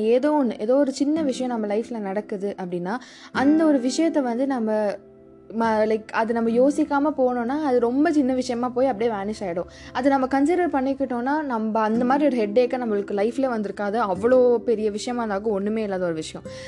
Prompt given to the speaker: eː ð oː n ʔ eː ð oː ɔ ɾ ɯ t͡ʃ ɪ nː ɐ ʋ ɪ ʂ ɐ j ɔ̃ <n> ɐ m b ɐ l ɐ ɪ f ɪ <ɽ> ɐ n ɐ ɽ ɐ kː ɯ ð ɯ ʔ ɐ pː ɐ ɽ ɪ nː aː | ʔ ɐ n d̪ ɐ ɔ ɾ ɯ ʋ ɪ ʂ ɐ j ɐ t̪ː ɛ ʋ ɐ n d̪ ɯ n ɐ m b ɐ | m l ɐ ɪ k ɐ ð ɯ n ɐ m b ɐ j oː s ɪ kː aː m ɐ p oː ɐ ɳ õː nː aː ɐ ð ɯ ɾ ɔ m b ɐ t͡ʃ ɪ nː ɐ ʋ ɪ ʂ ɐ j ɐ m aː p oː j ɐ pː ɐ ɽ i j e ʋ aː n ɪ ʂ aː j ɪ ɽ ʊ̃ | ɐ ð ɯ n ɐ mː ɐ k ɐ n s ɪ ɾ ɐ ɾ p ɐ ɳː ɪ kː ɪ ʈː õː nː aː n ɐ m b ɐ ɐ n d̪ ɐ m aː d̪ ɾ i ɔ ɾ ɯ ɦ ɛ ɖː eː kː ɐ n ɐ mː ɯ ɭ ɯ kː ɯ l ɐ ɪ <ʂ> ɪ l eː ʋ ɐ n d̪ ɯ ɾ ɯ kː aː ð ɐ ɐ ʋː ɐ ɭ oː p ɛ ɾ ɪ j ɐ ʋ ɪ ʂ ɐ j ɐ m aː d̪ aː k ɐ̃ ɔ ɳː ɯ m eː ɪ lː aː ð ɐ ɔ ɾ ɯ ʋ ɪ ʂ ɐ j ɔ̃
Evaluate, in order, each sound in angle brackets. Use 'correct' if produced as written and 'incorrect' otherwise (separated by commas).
correct, incorrect, incorrect